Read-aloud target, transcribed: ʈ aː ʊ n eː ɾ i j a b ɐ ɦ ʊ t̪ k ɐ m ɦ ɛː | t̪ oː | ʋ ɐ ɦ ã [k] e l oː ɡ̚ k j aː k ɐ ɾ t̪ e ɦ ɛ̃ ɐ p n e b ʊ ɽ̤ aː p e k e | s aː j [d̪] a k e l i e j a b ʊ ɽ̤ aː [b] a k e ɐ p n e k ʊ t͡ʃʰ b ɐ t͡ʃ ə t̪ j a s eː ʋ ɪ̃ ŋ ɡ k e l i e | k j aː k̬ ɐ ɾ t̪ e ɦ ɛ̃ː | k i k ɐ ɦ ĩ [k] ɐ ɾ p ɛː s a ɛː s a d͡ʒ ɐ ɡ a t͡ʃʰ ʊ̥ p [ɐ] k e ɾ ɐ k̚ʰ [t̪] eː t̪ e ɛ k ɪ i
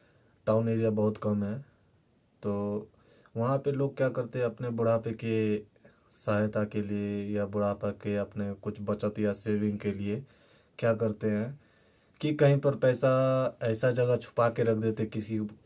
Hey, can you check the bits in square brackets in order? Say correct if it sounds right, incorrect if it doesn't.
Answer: incorrect: p, incorrect: t̪, incorrect: p, incorrect: p, incorrect: a, incorrect: d̪

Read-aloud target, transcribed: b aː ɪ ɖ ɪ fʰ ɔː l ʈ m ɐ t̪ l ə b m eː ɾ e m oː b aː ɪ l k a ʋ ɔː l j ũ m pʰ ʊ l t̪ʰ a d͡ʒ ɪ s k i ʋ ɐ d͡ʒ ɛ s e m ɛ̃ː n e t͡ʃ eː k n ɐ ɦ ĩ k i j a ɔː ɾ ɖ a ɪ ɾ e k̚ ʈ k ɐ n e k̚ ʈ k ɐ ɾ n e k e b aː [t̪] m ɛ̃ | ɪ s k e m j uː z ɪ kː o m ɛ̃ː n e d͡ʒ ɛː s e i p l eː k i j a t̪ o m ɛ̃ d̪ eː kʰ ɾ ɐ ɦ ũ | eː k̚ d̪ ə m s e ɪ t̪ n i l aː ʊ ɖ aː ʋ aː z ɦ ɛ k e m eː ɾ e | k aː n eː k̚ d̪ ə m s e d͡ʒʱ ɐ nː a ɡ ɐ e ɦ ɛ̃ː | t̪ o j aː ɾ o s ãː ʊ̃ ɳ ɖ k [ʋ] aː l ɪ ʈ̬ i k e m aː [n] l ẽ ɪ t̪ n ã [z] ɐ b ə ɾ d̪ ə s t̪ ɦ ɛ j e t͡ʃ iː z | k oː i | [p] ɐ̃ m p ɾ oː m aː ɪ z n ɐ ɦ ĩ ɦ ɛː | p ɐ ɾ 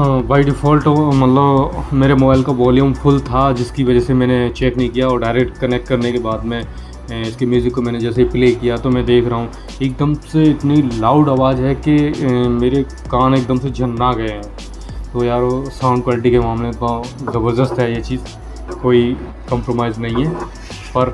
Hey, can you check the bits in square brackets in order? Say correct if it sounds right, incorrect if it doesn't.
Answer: incorrect: d̪, incorrect: w, incorrect: m, correct, incorrect: k

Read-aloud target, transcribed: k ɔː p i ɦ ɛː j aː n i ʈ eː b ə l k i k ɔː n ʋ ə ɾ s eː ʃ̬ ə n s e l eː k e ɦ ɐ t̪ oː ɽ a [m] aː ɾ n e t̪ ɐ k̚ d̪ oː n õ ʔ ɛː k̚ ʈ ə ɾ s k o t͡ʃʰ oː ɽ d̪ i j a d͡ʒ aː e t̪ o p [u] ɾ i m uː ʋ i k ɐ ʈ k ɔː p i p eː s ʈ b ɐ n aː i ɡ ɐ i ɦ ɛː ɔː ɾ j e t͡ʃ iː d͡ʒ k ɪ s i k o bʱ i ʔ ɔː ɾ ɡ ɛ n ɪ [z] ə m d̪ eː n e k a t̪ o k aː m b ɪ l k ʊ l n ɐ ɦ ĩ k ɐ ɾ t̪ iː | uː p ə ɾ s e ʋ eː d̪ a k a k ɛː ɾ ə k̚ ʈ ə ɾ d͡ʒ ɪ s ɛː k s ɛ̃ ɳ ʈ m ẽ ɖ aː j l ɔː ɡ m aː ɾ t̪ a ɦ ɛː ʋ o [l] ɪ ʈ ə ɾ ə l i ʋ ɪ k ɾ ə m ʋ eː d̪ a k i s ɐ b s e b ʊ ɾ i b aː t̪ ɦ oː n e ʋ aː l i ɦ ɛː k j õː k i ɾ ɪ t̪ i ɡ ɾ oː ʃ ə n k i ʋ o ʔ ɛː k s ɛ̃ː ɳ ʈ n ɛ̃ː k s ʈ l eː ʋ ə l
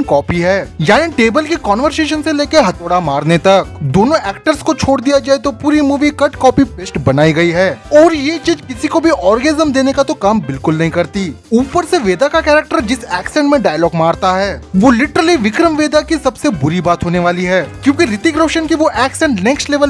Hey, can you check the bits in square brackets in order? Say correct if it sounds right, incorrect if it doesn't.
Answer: correct, incorrect: uː, correct, correct

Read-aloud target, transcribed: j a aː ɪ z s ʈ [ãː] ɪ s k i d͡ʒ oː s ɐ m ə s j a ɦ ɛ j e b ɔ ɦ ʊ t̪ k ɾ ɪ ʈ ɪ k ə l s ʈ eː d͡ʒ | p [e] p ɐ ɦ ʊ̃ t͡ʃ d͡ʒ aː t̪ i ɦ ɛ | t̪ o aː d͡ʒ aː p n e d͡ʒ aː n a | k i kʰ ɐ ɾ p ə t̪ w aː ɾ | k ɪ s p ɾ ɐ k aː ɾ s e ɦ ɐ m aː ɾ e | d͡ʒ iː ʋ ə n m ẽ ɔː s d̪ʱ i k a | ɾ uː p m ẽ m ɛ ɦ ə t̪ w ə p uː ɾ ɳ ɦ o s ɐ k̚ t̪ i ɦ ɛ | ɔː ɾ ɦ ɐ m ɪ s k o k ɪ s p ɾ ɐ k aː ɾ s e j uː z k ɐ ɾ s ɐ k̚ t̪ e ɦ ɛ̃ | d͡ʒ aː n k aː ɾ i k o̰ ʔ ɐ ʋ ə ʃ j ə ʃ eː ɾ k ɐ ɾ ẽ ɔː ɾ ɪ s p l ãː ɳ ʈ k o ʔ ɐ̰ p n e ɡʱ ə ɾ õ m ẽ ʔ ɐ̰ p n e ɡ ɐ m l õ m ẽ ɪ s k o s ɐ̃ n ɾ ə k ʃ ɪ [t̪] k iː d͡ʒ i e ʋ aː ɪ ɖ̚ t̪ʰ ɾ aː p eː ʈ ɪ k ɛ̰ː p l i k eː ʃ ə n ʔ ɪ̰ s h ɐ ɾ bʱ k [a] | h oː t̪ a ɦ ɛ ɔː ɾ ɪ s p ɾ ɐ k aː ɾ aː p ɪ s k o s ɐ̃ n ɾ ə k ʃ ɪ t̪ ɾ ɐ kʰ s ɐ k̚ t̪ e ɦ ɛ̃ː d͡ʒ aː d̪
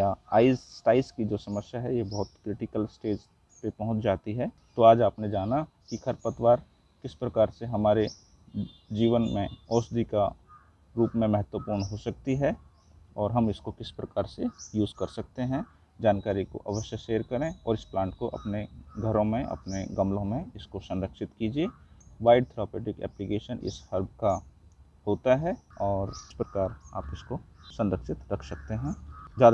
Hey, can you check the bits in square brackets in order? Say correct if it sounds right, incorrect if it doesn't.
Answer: incorrect: aː, correct, correct, correct

